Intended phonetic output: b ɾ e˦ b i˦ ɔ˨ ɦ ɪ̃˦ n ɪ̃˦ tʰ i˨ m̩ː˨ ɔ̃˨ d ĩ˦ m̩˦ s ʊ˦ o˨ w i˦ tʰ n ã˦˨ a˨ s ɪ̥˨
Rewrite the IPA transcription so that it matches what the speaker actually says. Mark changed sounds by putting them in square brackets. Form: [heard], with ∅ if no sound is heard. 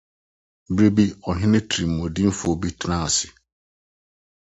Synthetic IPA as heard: b ɾ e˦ b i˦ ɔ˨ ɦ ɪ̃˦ n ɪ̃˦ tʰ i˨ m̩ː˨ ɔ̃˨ d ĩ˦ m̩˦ [f] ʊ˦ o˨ [b] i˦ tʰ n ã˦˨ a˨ s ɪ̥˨